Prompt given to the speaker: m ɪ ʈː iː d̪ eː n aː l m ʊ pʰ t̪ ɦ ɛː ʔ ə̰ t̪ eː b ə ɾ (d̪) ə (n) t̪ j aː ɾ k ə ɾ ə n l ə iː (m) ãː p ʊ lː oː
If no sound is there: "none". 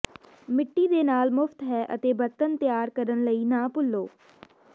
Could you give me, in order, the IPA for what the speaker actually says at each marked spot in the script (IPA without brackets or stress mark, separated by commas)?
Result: t̪, n, n